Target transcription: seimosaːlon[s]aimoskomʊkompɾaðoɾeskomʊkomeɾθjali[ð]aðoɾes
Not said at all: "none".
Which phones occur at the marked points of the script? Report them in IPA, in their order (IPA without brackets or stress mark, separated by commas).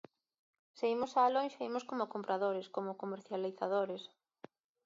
ʃ, θ